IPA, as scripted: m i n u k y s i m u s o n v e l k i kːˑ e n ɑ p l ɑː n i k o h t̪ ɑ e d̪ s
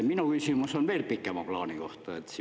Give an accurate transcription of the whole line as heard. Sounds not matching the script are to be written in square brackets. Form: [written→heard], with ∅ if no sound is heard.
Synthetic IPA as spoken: m i n u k y s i m u s o n [v→ʋ] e l [k→p] i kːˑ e [n→m] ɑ p l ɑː n i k o h t̪ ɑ e [d̪→t̪] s